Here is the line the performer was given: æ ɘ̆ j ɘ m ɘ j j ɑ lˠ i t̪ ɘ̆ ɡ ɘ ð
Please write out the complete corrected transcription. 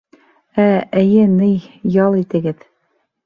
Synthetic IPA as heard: æ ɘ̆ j ɘ n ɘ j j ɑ lˠ i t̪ ɘ̆ ɡ ɘ ð